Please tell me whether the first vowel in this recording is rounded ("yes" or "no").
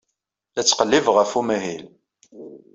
no